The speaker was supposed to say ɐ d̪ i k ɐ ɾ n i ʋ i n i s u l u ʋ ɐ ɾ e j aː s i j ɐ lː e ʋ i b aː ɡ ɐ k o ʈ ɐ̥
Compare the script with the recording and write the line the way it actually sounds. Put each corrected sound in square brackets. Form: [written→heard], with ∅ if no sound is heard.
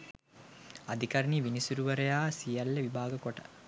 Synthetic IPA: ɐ d̪ i k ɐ ɾ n i ʋ i n i s u [l→ɾ] u ʋ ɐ ɾ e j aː s i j ɐ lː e ʋ i b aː ɡ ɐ k o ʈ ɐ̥